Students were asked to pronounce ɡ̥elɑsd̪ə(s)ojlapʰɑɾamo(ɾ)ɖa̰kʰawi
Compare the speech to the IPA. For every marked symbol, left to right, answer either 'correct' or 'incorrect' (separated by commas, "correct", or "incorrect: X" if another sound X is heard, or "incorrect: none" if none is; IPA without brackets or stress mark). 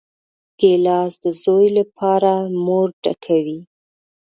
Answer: incorrect: z, correct